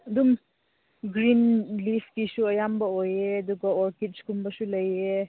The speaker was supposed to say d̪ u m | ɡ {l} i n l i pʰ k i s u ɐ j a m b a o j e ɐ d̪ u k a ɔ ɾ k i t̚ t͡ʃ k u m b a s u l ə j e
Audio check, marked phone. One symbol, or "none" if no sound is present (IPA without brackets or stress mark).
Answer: ɾ